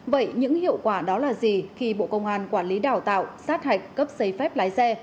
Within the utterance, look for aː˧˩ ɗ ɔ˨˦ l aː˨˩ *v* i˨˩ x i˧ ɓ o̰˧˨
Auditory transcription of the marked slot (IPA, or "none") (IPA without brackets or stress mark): z